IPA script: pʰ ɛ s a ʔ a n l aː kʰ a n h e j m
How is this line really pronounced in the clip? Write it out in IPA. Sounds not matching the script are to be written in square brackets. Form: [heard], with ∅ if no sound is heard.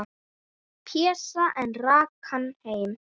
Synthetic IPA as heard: pʰ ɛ s a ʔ [ɛ] n [r] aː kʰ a n h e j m